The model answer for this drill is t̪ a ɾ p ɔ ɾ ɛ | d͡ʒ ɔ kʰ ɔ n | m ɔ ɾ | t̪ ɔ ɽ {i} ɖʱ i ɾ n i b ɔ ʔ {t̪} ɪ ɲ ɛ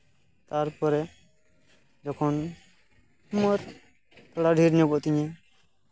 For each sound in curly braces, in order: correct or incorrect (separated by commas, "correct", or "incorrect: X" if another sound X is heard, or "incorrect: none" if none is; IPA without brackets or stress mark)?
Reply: incorrect: a, correct